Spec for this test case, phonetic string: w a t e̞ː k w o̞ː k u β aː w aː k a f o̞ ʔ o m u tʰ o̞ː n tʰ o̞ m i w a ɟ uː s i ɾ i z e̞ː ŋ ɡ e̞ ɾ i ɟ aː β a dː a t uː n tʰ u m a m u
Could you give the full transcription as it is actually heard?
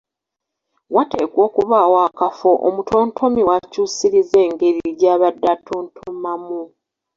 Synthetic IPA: w a t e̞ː k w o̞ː k u β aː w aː k a f o̞ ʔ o m u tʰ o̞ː n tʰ o̞ m i w a c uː s i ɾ i z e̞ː ŋ ɡ e̞ ɾ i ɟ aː β a dː a t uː n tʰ u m a m u